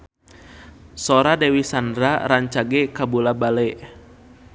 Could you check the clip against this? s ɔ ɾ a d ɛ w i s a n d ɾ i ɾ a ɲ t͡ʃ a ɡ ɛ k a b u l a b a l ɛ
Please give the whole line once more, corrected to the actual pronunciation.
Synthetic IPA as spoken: s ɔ ɾ a d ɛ w i s a n d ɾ a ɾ a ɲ t͡ʃ a ɡ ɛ k a b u l a b a l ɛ